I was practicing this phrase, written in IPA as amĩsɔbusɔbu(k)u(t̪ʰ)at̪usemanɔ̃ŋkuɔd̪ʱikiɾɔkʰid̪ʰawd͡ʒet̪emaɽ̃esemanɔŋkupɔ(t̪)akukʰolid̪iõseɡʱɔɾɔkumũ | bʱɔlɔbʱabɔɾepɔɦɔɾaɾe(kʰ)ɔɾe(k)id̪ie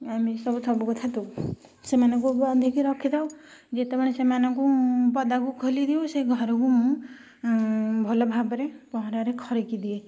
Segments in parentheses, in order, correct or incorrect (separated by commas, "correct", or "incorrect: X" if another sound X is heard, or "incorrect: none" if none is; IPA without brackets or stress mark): correct, correct, incorrect: d̪, correct, correct